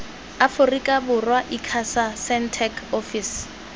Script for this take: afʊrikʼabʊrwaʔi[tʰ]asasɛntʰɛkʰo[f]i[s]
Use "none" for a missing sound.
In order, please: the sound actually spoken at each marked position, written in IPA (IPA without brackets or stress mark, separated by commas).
kʰ, f, s